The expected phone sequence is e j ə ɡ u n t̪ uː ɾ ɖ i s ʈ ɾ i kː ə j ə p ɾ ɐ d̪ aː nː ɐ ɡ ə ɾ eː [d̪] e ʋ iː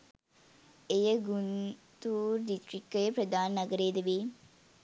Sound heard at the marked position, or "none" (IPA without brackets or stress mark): d̪